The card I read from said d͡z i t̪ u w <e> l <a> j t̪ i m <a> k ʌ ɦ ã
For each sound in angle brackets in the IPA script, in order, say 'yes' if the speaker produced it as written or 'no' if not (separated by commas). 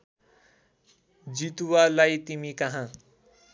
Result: no, yes, no